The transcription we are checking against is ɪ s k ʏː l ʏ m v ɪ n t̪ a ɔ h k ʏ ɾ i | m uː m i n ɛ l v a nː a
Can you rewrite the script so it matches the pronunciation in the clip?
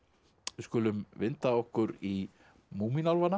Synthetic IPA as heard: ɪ s k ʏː l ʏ m v ɪ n t̪ a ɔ h k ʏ ɾ i | m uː m i n a l v a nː a